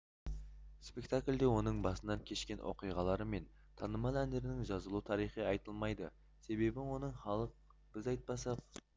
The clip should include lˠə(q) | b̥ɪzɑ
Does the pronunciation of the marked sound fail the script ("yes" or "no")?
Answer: no